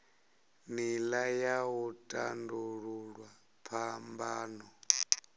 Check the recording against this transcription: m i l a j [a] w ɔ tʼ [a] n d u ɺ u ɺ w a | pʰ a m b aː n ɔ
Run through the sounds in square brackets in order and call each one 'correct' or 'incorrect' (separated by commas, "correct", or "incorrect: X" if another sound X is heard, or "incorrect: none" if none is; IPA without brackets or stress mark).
correct, correct